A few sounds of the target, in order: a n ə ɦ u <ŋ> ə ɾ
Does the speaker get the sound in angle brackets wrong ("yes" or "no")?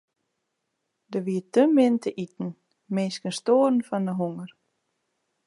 no